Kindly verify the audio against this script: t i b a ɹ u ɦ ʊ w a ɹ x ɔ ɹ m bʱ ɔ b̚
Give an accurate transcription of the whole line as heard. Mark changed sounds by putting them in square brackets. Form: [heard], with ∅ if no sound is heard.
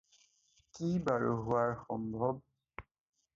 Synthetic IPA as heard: [k] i b a ɹ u ɦ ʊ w a ɹ x ɔ [∅] m bʱ ɔ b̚